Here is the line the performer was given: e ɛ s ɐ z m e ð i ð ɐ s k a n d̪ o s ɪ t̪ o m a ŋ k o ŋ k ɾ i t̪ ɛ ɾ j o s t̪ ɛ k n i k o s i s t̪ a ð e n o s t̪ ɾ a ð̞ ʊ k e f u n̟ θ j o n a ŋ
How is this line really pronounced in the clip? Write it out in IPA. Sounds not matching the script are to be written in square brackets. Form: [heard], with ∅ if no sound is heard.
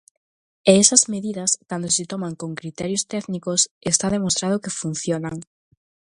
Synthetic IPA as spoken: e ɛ s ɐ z m e ð i ð ɐ s k a n d̪ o s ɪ t̪ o m a ŋ k o ŋ k ɾ i t̪ ɛ ɾ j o s t̪ ɛ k n i k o s [e] s t̪ a ð e [m] o s t̪ ɾ a ð̞ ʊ k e f u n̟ θ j o n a ŋ